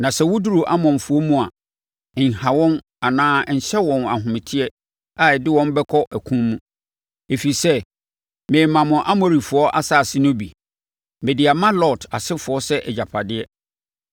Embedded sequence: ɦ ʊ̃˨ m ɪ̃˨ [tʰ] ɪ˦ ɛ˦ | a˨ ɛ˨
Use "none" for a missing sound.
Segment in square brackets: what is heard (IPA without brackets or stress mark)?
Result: tʰ